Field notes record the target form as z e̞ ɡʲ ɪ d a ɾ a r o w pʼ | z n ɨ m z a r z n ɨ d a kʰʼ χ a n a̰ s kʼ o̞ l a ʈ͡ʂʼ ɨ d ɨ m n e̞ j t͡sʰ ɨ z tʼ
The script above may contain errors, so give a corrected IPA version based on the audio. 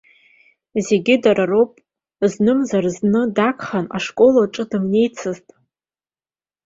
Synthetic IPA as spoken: z e̞ ɡʲ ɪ d a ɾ a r o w pʼ | z n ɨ m z a r z n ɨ d a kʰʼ χ a n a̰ ʂ kʼ o̞ l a ʈ͡ʂʼ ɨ d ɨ m n e̞ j t͡sʰ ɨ z tʼ